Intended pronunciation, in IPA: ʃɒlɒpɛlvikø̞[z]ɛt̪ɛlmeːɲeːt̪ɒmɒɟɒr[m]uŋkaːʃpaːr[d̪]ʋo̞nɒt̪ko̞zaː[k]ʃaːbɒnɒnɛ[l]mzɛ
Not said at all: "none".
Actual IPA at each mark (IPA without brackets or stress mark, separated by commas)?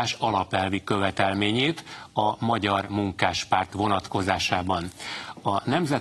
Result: v, m, t̪, none, none